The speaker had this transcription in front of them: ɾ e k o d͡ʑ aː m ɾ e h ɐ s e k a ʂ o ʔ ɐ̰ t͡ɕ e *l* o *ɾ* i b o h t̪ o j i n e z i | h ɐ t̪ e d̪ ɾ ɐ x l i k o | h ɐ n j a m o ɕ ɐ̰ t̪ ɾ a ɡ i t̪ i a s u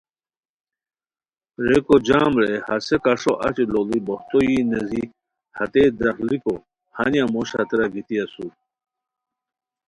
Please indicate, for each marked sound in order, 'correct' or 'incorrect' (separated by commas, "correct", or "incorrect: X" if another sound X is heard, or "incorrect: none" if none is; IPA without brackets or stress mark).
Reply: correct, incorrect: l